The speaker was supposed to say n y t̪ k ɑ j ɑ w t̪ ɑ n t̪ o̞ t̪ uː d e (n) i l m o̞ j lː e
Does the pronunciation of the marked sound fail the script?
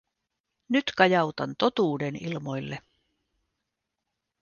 no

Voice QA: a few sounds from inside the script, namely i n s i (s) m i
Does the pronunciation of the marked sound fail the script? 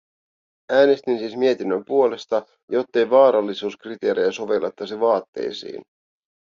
no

